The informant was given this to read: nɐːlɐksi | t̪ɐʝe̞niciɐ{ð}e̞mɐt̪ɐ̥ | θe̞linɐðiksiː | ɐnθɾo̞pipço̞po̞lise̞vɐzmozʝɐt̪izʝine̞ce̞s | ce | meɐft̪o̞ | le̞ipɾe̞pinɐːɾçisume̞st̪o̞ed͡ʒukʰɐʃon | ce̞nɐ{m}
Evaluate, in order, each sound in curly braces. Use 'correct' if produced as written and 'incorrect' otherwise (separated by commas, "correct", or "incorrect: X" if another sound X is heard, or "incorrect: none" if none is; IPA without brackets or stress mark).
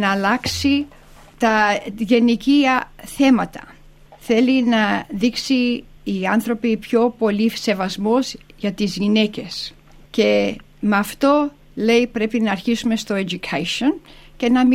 incorrect: θ, correct